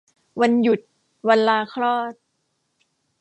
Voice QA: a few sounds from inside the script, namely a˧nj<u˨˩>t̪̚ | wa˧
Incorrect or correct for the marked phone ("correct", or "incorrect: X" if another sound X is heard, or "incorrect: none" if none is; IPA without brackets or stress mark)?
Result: correct